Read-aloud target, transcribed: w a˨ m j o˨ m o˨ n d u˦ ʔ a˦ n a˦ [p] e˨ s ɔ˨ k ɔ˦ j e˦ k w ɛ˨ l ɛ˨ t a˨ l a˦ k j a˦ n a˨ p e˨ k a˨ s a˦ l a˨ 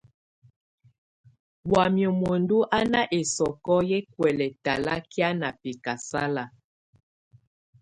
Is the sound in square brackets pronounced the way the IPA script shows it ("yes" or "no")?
no